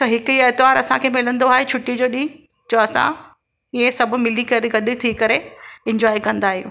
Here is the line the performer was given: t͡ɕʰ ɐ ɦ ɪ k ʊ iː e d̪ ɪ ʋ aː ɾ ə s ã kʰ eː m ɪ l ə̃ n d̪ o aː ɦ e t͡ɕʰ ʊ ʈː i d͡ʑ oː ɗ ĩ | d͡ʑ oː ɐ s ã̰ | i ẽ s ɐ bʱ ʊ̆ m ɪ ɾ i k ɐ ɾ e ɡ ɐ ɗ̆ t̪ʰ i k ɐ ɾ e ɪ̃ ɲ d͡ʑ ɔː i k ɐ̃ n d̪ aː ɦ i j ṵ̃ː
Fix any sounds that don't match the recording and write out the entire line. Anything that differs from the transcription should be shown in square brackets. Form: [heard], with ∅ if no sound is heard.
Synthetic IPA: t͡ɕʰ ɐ ɦ ɪ k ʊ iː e [t̪] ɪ ʋ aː ɾ [ɐ] s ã kʰ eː m ɪ l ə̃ n d̪ o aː ɦ e t͡ɕʰ ʊ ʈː i d͡ʑ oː ɗ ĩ | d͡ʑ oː ɐ s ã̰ | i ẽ s ɐ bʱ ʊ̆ m ɪ [l] i k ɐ ɾ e ɡ ɐ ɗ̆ t̪ʰ i k ɐ ɾ e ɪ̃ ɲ d͡ʑ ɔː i k ɐ̃ n d̪ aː ɦ i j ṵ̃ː